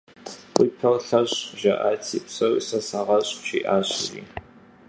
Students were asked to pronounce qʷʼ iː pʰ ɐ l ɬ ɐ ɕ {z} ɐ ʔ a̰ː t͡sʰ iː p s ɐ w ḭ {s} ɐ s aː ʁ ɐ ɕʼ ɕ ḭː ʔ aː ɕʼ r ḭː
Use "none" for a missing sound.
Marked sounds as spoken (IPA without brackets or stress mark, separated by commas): ʒ, s